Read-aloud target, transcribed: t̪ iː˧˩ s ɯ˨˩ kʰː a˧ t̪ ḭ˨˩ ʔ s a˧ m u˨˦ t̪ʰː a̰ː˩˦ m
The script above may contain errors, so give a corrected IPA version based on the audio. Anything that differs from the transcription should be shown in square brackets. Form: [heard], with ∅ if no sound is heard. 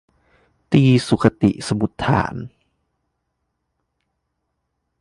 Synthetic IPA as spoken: t̪ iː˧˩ s [u˨˩] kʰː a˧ t̪ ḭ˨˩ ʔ s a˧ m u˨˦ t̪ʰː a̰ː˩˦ [n]